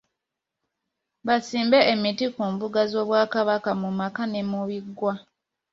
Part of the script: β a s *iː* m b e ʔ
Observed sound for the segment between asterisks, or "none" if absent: iː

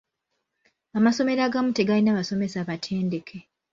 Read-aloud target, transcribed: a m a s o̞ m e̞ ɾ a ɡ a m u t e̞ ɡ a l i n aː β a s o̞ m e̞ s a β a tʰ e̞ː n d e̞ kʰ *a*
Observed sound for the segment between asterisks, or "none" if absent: e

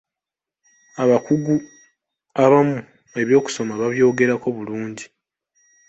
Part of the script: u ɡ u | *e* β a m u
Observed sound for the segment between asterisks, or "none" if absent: a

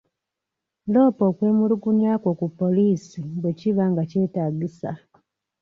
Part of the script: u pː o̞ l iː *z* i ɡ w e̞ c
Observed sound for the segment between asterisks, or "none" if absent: s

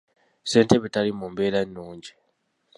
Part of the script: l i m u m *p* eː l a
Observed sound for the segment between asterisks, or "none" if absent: b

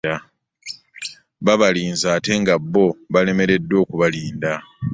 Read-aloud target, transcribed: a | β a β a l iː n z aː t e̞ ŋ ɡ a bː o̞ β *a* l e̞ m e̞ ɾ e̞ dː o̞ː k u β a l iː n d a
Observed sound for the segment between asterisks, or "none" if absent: a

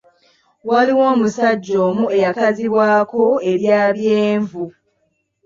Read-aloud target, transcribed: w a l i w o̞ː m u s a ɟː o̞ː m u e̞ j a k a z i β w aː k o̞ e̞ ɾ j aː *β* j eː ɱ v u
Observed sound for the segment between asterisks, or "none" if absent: β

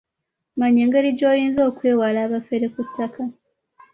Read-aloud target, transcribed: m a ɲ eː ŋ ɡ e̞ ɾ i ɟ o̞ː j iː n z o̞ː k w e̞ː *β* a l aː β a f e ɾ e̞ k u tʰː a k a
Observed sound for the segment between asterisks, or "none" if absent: w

